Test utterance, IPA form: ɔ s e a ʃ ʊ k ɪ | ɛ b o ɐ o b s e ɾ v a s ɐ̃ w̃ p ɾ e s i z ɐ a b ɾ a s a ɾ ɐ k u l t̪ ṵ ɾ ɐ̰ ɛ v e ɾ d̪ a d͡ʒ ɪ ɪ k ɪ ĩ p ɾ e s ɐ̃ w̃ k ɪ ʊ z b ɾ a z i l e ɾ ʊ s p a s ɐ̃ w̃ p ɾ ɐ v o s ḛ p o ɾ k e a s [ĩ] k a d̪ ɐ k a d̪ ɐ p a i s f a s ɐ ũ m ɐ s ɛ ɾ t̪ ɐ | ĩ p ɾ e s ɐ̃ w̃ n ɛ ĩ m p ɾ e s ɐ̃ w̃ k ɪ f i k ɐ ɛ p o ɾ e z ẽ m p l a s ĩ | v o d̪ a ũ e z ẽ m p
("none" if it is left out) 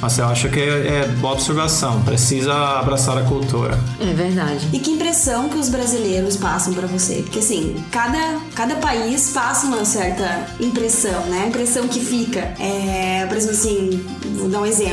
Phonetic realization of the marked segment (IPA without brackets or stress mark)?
ĩ